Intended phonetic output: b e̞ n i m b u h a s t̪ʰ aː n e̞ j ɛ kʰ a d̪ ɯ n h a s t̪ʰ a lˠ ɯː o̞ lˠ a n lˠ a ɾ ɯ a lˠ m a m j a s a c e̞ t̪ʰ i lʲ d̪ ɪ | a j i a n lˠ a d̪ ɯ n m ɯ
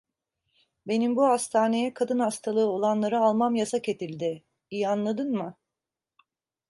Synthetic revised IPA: b e̞ n i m b u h a s t̪ʰ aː n e̞ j ɛ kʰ a d̪ ɯ n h a s t̪ʰ a lˠ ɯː o̞ lˠ a n lˠ a ɾ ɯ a lˠ m a m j a s a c e̞ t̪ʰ i lʲ d̪ ɪ | i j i a n lˠ a d̪ ɯ n m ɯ